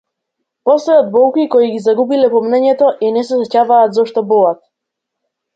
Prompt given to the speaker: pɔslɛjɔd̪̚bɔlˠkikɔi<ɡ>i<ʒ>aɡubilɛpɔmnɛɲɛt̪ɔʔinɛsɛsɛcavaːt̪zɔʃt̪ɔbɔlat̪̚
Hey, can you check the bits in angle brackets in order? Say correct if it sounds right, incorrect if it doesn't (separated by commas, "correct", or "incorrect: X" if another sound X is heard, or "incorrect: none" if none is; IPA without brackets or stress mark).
correct, incorrect: z